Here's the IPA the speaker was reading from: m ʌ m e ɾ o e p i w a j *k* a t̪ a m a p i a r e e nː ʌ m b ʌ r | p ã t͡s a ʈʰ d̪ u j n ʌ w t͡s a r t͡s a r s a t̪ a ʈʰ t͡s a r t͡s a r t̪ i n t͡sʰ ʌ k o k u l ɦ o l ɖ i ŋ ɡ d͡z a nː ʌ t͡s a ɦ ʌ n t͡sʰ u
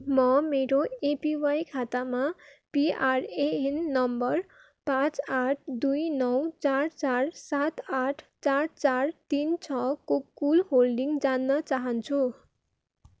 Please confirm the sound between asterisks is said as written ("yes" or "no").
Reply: no